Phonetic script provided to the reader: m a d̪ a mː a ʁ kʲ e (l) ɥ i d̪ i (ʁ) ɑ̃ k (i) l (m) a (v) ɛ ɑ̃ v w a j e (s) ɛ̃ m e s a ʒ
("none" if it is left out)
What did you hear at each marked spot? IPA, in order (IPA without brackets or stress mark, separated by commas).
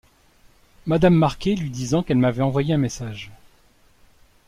l, z, ɛ, m, v, none